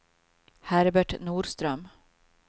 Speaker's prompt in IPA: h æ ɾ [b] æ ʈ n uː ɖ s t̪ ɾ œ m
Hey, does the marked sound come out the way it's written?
yes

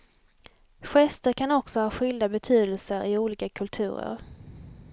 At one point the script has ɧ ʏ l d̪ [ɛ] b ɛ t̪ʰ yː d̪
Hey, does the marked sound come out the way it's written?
no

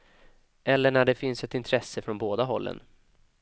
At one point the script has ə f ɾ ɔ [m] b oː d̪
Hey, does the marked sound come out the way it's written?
no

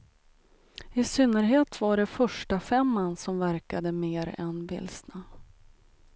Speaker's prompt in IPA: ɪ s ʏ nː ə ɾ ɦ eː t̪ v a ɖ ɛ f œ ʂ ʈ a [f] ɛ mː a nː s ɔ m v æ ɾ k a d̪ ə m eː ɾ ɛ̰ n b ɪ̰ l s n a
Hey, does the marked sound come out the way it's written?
yes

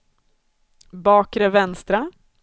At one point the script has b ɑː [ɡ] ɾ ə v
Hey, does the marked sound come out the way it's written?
no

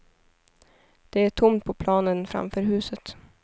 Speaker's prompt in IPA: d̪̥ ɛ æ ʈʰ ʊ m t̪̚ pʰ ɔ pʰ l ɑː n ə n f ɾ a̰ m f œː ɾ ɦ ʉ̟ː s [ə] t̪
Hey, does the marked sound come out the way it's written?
yes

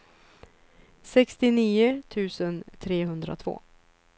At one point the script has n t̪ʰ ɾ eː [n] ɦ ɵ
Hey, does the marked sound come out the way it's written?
no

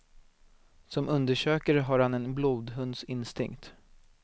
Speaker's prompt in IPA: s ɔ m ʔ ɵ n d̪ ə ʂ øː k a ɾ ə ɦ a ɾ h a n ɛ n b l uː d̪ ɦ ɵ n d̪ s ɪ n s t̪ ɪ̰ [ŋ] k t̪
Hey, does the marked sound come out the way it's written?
yes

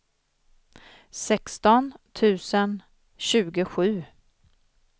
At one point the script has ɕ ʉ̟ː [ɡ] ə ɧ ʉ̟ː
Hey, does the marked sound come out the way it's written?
yes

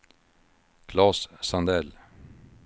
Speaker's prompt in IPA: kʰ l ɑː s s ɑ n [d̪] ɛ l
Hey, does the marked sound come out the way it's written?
yes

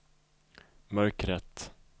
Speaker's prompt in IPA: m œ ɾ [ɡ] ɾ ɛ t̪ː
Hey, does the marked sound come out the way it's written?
no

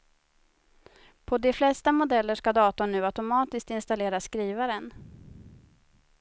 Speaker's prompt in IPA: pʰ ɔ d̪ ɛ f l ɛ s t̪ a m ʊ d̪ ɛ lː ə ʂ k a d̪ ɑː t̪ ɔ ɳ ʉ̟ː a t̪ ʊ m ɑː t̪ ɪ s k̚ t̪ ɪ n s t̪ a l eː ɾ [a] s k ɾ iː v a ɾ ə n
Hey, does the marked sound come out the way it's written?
yes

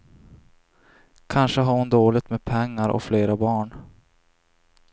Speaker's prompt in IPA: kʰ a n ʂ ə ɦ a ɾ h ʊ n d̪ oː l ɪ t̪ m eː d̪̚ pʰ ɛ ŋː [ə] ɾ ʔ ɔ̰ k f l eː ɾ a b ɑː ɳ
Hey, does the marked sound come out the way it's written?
no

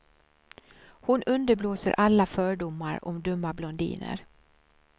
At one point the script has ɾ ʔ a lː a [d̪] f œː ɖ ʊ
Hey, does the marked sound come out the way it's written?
no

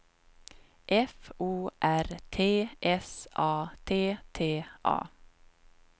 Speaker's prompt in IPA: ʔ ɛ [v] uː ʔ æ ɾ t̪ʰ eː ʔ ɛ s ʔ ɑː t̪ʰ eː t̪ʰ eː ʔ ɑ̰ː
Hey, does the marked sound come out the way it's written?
no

